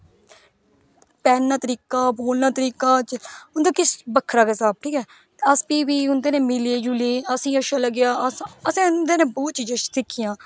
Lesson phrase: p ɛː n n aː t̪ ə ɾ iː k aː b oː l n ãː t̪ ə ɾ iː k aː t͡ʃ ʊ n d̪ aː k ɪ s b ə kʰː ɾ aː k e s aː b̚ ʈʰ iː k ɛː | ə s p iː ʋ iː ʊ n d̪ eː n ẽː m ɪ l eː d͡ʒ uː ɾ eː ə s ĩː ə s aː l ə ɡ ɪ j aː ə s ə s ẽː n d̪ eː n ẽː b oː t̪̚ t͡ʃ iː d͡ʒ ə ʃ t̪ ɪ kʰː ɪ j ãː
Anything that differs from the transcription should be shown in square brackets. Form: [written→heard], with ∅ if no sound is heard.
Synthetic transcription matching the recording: p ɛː n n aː t̪ ə ɾ iː k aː b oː l n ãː t̪ ə ɾ iː k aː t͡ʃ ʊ n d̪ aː k ɪ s b ə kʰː ɾ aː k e s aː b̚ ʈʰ iː k ɛː | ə s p iː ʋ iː ʊ n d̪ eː n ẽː m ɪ l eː d͡ʒ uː [ɾ→l] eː ə s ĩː ə [s→ʃ] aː l ə ɡ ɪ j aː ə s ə s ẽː n d̪ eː n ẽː b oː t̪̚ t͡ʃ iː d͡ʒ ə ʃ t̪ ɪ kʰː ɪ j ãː